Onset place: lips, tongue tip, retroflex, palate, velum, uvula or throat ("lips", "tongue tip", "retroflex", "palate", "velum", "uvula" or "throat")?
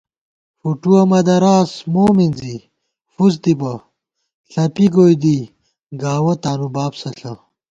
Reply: lips